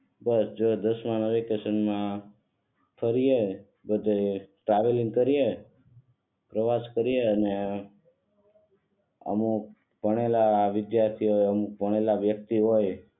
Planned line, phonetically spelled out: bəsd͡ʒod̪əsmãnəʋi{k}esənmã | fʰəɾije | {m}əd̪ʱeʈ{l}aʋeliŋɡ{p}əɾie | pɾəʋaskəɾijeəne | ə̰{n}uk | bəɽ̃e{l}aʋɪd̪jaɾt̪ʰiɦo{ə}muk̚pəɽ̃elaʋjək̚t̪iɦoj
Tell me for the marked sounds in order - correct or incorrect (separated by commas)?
correct, incorrect, incorrect, incorrect, incorrect, correct, correct